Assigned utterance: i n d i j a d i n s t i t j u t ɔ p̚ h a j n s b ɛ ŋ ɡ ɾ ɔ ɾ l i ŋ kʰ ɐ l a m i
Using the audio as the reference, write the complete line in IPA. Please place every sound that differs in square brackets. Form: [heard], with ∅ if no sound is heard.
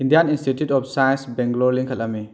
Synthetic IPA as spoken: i n d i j a [n] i n s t i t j u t ɔ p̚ [s] a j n s b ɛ ŋ ɡ [l] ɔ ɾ l i ŋ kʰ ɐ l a m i

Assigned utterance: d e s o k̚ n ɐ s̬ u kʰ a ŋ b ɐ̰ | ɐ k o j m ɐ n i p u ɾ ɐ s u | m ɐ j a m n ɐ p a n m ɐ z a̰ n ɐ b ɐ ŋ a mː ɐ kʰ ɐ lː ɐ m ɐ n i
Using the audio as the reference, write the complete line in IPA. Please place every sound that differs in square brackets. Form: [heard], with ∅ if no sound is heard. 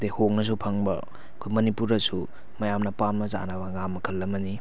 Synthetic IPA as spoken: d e [h] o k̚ n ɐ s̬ u [pʰ] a ŋ b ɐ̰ | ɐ [kʰ] o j m ɐ n i p u ɾ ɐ s u | m ɐ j a m n ɐ p a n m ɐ z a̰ n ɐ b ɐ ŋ a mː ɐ kʰ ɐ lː ɐ m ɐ n i

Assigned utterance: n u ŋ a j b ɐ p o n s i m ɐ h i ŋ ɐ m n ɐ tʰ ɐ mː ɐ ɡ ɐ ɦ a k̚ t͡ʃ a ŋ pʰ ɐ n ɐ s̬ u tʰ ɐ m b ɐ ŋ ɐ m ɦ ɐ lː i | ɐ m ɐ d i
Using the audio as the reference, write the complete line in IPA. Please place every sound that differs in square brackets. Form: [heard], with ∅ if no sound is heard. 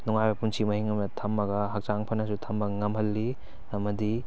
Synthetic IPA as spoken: n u ŋ a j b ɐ p [u] n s i m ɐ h i ŋ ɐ m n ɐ tʰ ɐ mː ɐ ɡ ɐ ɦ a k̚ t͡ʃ a ŋ pʰ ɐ n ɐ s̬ u tʰ ɐ m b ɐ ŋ ɐ m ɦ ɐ lː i | ɐ m ɐ d i

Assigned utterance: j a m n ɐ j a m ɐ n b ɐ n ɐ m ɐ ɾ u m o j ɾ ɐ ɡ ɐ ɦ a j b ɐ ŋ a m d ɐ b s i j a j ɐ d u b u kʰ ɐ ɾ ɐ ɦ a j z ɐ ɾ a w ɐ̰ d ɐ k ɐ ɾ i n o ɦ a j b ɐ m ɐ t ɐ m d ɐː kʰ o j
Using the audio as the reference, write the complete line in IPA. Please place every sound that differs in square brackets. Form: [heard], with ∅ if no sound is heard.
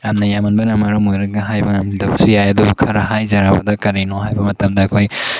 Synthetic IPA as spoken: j a m n ɐ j a m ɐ n b ɐ n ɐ m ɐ ɾ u m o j ɾ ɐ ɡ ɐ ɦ a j b ɐ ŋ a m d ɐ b s i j a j ɐ d u b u kʰ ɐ ɾ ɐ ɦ a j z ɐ ɾ a [b] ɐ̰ d ɐ k ɐ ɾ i n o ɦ a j b ɐ m ɐ t ɐ m d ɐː kʰ o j

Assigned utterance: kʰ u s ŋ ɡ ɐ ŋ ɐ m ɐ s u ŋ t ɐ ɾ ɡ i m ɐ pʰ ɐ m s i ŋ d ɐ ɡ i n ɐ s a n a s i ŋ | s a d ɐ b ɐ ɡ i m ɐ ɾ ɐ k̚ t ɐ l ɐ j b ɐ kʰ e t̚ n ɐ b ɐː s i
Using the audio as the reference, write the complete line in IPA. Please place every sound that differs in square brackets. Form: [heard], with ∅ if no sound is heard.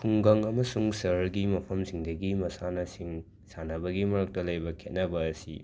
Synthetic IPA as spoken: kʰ u [∅] ŋ ɡ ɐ ŋ ɐ m ɐ s u ŋ [s] ɐ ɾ ɡ i m ɐ pʰ ɐ m s i ŋ d ɐ ɡ i [m] ɐ s a n [ɐ] s i ŋ | s a [n] ɐ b ɐ ɡ i m ɐ ɾ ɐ k̚ t ɐ l ɐ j b ɐ kʰ e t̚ n ɐ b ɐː s i

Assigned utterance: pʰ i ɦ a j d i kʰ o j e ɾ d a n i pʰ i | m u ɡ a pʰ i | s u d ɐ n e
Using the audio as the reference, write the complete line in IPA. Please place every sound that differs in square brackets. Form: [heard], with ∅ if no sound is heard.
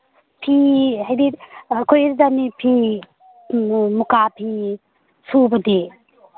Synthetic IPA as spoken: pʰ i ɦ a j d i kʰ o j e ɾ d a n i pʰ i | m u [k] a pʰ i | s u [b] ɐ [d] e

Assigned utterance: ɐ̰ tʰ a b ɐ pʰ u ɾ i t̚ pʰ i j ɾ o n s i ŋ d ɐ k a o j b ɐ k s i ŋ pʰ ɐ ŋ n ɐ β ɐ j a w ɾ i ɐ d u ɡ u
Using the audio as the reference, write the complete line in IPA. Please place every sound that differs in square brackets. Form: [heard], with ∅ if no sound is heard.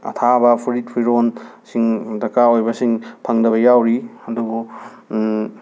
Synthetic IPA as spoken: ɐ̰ tʰ a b ɐ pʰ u ɾ i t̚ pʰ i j ɾ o n s i ŋ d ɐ k a o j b ɐ [∅] s i ŋ pʰ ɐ ŋ [d] ɐ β ɐ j a w ɾ i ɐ d u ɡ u

